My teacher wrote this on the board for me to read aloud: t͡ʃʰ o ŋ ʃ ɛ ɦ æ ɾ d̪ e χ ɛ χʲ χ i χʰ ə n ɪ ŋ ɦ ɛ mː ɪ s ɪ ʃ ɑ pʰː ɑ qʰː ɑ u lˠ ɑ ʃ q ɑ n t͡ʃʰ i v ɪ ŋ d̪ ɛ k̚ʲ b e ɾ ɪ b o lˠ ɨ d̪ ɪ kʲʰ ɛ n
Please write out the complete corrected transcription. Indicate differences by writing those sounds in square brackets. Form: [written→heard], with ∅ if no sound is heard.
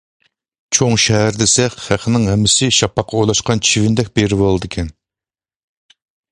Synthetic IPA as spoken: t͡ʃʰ o ŋ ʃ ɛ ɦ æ ɾ d̪ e [χ→s] ɛ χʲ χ [i→æ] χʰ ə n ɪ ŋ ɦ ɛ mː ɪ s ɪ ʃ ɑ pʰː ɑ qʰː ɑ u lˠ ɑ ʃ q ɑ n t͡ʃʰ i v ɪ [ŋ→n] d̪ ɛ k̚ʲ b e ɾ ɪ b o lˠ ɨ d̪ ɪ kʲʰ ɛ n